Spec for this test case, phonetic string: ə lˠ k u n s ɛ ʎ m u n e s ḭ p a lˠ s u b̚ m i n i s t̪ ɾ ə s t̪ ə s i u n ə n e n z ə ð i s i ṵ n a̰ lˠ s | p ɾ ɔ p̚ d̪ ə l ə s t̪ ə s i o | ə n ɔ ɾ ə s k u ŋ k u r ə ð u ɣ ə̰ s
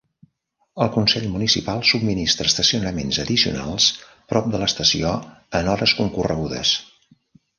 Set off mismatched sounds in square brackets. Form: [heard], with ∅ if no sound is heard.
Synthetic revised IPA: ə lˠ k u n s ɛ ʎ m u n [i] s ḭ p a lˠ s u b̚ m i n i s t̪ ɾ ə s t̪ ə s i u n ə [m] e n z ə ð i s i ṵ n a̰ lˠ s | p ɾ ɔ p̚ d̪ ə l ə s t̪ ə s i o | ə n ɔ ɾ ə s k u ŋ k u r ə [ɣ] u [ð] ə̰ s